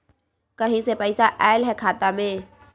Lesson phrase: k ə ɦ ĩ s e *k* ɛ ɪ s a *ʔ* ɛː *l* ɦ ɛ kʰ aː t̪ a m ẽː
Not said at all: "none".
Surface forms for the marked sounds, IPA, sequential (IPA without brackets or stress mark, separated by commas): p, ʔ, l